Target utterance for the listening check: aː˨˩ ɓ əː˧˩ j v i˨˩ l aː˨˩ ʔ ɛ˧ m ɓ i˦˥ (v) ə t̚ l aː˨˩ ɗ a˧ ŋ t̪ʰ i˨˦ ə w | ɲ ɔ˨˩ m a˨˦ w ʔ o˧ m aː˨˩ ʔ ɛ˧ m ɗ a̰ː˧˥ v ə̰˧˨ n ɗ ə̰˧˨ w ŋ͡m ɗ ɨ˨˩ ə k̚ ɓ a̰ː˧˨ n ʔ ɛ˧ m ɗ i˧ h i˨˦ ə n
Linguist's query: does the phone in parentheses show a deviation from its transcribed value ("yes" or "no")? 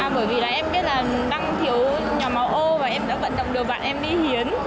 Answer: yes